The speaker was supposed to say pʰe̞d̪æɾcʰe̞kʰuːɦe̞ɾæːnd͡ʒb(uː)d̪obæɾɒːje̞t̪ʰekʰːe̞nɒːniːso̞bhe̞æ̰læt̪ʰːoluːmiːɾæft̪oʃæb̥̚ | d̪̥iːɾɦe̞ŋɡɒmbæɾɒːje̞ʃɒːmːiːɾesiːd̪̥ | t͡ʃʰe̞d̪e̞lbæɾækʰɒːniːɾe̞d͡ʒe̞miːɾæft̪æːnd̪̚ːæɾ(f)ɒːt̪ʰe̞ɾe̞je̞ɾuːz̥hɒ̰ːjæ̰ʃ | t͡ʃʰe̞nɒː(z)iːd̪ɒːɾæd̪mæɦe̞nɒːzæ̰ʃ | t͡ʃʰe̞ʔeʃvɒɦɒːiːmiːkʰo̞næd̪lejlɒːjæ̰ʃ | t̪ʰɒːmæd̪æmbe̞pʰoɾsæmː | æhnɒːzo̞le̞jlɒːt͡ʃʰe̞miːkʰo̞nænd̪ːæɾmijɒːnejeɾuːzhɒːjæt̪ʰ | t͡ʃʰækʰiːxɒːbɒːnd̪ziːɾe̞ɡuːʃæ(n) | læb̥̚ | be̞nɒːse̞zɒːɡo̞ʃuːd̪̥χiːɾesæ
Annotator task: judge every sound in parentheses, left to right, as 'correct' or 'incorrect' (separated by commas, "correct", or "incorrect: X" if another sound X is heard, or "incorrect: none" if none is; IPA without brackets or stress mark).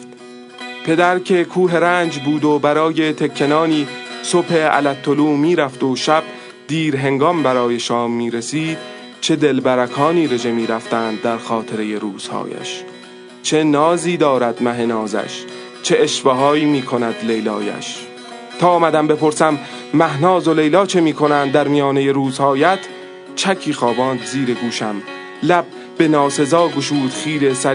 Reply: correct, incorrect: x, correct, incorrect: m